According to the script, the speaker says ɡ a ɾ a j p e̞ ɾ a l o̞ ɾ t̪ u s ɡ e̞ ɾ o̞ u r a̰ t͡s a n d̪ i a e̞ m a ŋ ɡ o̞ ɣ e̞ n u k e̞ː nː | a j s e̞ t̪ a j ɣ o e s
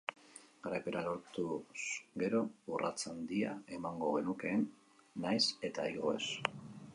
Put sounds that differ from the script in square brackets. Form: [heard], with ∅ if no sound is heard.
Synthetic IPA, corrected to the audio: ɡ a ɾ a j p e̞ ɾ a l o̞ ɾ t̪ u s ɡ e̞ ɾ o̞ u r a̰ t͡s a n d̪ i a e̞ m a ŋ ɡ o̞ ɣ e̞ n u k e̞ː nː | a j s e̞ t̪ a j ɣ o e s